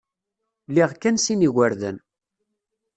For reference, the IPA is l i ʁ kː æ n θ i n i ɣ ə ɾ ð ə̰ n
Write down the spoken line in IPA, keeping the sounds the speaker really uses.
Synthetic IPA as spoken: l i ʁ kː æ n s i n i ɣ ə ɾ ð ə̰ n